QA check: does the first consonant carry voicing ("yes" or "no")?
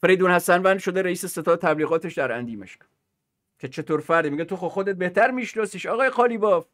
no